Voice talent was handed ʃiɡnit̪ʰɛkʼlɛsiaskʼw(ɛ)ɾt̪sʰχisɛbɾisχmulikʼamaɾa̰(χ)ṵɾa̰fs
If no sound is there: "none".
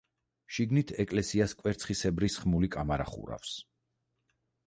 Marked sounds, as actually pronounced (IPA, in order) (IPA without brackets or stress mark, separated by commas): ɛ, χ